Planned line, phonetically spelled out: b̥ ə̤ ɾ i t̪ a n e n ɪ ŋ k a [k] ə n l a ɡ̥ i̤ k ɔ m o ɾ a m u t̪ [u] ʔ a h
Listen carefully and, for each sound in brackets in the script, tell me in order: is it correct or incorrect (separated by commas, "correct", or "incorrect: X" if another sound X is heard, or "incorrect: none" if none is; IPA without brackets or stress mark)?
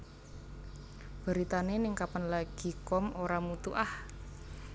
incorrect: p, correct